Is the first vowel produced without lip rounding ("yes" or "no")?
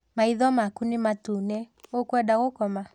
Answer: yes